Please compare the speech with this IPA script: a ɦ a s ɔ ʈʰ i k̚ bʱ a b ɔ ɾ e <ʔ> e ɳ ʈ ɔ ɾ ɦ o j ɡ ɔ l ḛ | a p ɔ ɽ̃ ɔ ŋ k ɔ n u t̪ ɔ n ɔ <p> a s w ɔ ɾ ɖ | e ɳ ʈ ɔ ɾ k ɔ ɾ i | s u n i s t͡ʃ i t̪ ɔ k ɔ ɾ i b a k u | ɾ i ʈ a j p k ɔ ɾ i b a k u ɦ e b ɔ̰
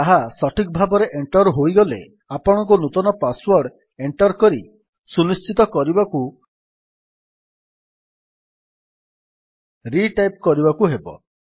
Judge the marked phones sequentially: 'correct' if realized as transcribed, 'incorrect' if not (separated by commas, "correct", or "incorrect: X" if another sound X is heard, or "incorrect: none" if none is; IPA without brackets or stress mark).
correct, correct